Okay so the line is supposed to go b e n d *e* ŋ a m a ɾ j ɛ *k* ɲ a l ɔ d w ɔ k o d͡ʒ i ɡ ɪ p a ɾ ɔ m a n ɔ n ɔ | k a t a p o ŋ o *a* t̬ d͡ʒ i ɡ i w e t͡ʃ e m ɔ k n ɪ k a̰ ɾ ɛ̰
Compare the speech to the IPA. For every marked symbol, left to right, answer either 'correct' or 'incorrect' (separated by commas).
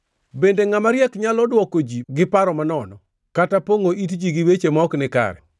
correct, correct, incorrect